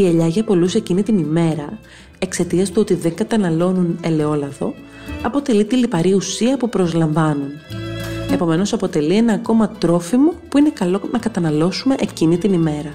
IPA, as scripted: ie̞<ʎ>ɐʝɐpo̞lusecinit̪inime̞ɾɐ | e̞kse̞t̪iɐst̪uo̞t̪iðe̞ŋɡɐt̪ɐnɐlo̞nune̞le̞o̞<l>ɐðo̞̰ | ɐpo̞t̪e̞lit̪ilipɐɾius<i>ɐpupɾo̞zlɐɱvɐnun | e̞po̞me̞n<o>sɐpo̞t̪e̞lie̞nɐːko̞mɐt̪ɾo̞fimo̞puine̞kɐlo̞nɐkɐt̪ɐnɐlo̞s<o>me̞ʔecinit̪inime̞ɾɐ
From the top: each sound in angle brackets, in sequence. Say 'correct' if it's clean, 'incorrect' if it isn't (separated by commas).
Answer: correct, correct, correct, correct, incorrect